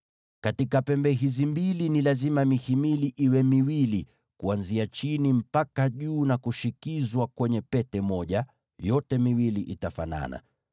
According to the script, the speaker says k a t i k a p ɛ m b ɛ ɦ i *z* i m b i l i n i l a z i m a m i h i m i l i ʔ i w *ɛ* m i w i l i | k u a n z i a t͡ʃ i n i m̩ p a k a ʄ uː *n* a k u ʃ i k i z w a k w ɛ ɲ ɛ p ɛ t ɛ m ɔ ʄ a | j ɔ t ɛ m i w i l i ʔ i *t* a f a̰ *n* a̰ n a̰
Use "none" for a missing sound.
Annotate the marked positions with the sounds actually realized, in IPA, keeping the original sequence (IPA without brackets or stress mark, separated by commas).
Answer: z, ɛ, n, t, n